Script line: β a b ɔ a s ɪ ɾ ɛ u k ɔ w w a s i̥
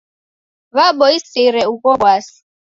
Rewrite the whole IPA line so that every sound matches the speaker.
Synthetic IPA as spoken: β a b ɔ i s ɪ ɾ ɛ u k ɔ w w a s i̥